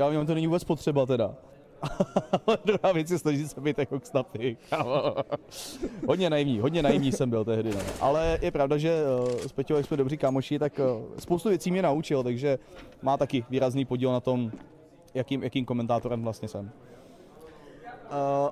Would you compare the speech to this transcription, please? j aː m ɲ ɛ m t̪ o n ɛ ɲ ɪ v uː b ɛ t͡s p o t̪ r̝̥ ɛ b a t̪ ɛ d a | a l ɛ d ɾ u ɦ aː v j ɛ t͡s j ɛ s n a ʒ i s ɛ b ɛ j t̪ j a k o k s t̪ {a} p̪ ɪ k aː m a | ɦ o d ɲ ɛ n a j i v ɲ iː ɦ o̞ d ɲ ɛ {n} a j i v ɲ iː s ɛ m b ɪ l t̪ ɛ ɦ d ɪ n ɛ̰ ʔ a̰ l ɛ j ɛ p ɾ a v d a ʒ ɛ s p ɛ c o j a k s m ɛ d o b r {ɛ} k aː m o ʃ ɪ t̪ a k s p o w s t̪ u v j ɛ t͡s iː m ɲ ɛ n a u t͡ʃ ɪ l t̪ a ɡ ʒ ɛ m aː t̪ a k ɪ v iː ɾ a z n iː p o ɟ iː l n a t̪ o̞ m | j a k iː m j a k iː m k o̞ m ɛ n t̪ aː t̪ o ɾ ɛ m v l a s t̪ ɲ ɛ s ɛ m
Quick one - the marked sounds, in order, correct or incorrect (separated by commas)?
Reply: correct, correct, incorrect